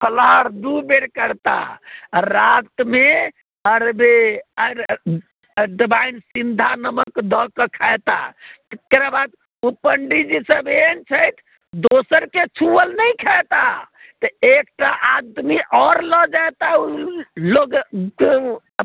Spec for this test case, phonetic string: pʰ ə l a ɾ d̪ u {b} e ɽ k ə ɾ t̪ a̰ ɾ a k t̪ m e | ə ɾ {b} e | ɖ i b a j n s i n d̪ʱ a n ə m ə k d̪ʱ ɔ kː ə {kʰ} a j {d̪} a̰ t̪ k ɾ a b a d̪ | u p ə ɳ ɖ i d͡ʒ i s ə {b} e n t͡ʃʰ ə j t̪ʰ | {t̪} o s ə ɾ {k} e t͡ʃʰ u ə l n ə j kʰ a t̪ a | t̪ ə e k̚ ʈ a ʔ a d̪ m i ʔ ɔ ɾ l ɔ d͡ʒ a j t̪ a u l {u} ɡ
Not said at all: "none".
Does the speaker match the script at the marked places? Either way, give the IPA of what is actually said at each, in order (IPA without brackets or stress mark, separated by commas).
b, b, kʰ, t̪, b, d̪, k, o